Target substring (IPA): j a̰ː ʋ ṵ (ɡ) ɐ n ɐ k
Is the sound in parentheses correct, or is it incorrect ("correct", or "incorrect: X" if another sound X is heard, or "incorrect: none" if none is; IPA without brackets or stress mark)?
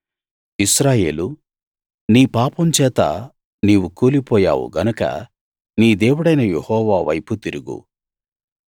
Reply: correct